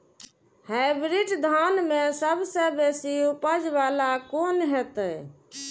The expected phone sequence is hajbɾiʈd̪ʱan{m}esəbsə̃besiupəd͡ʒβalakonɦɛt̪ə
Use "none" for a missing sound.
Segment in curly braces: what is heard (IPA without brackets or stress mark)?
m